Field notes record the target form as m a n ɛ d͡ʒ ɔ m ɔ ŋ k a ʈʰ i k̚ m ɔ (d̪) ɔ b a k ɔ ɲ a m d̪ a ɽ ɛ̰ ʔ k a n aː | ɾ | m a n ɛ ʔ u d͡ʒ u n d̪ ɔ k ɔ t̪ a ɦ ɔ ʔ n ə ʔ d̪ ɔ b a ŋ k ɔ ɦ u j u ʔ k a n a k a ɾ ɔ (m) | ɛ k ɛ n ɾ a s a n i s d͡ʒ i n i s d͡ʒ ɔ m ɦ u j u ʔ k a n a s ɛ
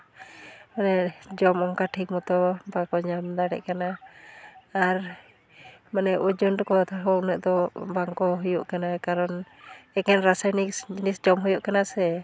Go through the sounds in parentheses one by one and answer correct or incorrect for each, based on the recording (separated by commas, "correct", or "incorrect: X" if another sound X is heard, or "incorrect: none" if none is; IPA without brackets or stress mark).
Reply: incorrect: t̪, incorrect: n